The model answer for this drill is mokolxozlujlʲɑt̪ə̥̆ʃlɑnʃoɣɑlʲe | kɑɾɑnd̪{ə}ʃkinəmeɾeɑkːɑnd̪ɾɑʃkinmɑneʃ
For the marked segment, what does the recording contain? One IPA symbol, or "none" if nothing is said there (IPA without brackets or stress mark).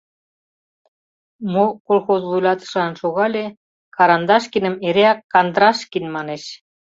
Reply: ɑ